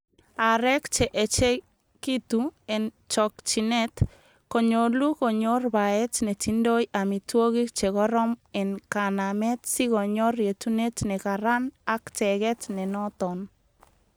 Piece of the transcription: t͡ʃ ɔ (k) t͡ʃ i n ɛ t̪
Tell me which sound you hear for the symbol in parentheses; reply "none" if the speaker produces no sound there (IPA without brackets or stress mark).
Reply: k